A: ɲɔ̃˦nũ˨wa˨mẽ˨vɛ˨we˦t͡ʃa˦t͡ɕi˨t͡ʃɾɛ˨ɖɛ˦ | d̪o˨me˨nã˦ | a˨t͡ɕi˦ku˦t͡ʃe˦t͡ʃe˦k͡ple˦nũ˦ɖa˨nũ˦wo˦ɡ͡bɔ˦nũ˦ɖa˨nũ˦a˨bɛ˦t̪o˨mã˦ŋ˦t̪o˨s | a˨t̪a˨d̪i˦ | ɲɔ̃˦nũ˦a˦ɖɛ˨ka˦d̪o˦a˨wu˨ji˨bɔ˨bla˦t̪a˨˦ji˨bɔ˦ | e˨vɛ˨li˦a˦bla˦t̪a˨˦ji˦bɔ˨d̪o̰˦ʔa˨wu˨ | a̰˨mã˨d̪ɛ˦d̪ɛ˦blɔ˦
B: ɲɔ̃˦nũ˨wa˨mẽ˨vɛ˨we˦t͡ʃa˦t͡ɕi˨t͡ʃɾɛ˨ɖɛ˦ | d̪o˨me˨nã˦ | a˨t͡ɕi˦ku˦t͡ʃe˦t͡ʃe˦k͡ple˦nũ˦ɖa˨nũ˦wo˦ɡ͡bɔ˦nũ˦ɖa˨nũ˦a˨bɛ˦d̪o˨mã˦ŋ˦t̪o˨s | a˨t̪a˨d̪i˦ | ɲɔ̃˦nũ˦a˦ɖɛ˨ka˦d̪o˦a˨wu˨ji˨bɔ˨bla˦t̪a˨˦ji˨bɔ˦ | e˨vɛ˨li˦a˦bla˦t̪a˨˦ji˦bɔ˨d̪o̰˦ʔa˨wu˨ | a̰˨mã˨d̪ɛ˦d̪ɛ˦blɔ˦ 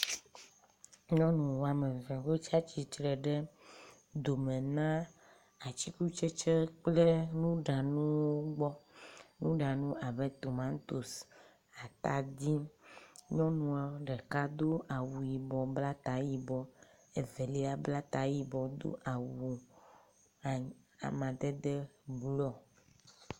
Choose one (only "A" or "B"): A